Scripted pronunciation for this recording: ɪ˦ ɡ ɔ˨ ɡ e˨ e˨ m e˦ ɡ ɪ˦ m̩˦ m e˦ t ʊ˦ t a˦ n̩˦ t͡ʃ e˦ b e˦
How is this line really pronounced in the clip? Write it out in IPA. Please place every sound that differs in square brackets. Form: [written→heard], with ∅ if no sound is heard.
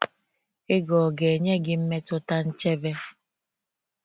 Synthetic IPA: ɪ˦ ɡ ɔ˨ ɡ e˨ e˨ [m→ɲ] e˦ ɡ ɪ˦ m̩˦ m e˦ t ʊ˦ t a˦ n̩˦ t͡ʃ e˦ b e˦